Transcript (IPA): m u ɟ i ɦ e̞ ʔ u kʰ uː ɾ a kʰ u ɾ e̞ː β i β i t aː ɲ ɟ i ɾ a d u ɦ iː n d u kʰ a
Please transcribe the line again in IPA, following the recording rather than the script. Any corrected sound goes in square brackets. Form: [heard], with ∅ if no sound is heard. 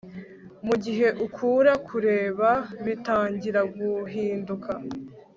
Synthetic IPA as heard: m u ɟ i ɦ e̞ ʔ u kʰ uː ɾ a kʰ u ɾ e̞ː β [a] β i t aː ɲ ɟ i ɾ a [ɡ] u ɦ iː n d u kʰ a